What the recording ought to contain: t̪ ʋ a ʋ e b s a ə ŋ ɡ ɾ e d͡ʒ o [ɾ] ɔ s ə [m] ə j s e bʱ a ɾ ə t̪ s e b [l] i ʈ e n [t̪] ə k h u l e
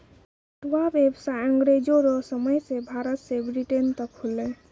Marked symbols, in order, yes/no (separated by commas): yes, yes, no, yes